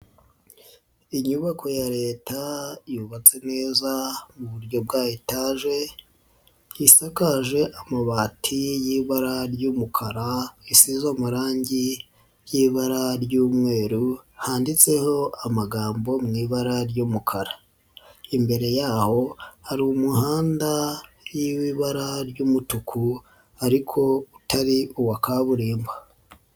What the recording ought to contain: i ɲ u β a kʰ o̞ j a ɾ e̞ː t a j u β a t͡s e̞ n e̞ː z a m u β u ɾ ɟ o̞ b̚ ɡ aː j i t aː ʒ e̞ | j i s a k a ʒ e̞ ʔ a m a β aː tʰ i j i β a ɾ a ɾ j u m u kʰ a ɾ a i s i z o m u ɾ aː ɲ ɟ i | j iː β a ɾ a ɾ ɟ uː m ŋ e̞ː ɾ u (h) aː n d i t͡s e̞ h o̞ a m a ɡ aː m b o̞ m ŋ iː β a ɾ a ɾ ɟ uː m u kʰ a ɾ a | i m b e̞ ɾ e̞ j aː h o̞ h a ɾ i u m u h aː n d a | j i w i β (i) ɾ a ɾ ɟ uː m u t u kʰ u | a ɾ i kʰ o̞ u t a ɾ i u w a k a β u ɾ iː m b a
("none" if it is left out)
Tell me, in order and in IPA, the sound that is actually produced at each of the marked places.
h, a

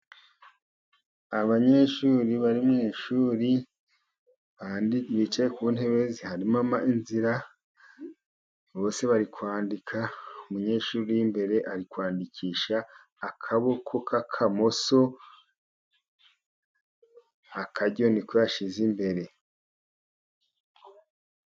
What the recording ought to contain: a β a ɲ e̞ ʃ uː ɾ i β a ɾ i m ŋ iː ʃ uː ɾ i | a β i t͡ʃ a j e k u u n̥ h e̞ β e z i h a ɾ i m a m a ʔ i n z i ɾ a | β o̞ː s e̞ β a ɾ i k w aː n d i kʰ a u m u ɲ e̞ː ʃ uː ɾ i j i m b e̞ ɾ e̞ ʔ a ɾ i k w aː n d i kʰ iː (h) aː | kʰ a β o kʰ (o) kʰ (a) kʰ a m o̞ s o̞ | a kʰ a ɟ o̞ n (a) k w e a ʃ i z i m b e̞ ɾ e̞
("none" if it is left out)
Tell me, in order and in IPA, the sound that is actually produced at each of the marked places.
ʃ, o, a, i

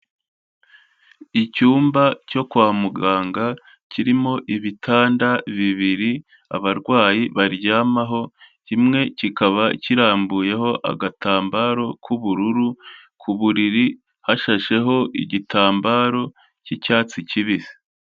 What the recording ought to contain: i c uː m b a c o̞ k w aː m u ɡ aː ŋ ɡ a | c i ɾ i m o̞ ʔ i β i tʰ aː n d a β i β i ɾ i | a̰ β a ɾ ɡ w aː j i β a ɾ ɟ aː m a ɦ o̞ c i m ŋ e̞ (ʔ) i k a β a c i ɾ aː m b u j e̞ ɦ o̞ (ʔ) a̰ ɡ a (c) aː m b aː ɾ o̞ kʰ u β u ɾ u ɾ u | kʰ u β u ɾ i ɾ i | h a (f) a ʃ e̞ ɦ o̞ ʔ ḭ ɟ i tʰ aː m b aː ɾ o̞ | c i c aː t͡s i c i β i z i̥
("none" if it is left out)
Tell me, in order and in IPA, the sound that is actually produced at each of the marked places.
c, ʔ, t, ʃ

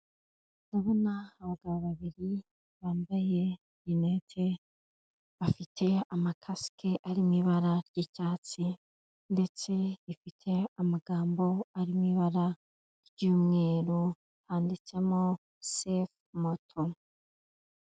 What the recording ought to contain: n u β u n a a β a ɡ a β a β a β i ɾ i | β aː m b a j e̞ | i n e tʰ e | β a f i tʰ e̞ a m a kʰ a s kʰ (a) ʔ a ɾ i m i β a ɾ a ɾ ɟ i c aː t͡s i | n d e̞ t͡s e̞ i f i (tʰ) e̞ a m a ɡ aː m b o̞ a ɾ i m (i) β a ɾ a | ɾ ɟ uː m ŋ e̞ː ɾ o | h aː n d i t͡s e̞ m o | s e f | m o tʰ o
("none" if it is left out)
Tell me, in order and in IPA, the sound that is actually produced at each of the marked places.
e, tʰ, i

